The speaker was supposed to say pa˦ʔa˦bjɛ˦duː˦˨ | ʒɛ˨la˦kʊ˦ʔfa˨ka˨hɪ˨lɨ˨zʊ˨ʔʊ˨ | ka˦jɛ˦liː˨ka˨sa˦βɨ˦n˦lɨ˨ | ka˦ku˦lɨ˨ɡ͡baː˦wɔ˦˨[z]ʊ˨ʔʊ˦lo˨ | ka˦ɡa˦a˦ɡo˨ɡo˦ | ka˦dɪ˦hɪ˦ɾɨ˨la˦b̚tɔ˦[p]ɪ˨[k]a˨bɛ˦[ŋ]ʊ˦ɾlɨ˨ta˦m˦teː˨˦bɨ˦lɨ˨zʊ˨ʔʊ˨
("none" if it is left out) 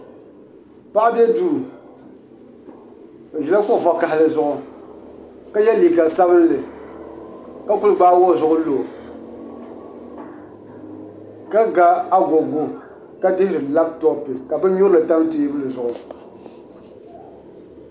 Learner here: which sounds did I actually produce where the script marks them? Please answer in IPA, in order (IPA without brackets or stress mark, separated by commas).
z, p, k, ɲ